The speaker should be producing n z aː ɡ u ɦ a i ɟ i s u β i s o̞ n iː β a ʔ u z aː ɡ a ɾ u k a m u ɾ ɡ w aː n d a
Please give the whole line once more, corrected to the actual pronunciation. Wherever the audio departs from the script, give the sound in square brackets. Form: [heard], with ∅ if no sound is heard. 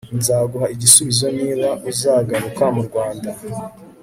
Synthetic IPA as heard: n z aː ɡ u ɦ a i ɟ i s u β i [z] o̞ n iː β a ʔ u z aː ɡ a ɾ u k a m u ɾ ɡ w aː n d a